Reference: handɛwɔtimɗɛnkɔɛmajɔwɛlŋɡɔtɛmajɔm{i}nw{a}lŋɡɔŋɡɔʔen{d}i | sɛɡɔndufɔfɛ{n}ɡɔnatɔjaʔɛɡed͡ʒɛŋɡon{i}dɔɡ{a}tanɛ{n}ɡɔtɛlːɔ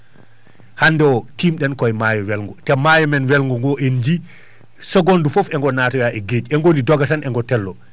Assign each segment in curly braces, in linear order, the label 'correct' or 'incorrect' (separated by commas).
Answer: incorrect, incorrect, incorrect, incorrect, correct, correct, incorrect